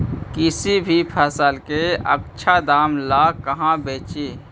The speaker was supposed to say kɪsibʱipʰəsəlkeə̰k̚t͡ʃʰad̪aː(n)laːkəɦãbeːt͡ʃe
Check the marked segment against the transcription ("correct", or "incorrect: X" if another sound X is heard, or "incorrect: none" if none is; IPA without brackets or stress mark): incorrect: m